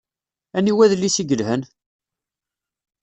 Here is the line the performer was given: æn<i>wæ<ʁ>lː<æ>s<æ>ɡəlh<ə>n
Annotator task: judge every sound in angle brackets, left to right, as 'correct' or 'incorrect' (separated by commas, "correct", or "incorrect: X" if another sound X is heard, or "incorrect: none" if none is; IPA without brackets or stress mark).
correct, incorrect: ð, incorrect: i, incorrect: i, correct